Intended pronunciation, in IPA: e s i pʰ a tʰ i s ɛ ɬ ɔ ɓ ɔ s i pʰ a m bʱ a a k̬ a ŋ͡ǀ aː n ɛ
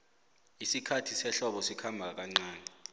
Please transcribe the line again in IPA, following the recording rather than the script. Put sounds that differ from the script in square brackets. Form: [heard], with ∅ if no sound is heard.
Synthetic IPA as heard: [i] s i [kʰ] a tʰ i s ɛ ɬ ɔ ɓ ɔ s i [kʰ] a m bʱ a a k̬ a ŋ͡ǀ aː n ɛ